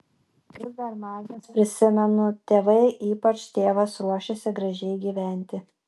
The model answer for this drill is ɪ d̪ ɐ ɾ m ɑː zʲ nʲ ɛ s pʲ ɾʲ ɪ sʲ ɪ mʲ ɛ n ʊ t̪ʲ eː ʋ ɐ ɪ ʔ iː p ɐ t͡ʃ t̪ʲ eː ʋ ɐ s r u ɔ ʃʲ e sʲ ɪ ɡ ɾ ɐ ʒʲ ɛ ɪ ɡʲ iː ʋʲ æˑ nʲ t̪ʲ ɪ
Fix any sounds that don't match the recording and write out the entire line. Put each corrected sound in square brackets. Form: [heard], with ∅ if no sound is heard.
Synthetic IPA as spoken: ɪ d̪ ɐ ɾ m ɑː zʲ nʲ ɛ s pʲ ɾʲ ɪ sʲ ɪ mʲ ɛ n ʊ t̪ʲ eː ʋ ɐ ɪ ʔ iː p ɐ t͡ʃ t̪ʲ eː ʋ ɐ s [ɾ] u ɔ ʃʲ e sʲ ɪ ɡ ɾ ɐ ʒʲ ɛ ɪ ɡʲ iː ʋʲ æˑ nʲ t̪ʲ ɪ